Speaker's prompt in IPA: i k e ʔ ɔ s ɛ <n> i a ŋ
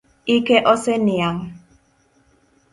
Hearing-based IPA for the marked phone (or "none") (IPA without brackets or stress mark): n